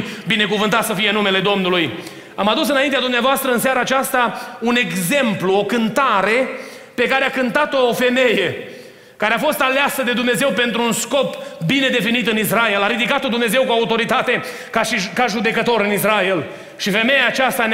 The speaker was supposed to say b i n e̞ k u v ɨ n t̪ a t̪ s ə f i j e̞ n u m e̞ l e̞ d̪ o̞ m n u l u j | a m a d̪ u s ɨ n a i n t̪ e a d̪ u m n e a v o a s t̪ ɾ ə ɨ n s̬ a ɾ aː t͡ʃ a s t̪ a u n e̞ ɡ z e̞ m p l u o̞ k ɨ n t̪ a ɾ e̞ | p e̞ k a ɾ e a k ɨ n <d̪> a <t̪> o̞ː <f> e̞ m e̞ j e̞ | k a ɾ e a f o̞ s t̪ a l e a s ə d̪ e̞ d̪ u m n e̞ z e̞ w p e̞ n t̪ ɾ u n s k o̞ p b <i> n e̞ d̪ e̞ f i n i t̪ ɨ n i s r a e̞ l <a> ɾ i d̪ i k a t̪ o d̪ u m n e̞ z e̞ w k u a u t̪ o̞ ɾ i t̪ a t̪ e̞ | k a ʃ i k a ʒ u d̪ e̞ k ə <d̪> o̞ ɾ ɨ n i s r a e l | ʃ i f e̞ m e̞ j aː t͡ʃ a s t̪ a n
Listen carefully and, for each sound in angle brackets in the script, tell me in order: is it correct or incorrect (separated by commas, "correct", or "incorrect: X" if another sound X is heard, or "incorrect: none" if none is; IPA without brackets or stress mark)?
incorrect: t̪, correct, correct, correct, correct, incorrect: t̪